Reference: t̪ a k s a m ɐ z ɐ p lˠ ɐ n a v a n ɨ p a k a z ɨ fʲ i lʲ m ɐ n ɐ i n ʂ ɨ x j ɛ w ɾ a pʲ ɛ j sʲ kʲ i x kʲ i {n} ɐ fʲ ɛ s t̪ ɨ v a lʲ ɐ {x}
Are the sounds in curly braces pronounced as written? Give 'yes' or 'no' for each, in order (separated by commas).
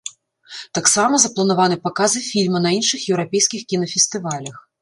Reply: yes, yes